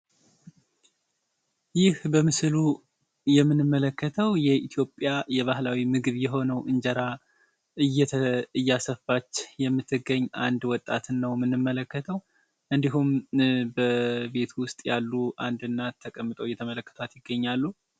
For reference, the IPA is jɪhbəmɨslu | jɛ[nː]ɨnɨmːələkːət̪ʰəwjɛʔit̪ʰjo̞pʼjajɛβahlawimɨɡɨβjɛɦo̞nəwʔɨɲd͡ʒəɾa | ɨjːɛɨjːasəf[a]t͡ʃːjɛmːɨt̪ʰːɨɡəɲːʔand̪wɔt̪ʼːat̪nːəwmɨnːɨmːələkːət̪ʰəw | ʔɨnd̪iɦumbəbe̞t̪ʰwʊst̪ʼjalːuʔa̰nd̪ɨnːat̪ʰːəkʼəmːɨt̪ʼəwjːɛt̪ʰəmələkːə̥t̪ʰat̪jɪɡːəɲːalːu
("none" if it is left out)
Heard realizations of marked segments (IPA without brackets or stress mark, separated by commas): mː, a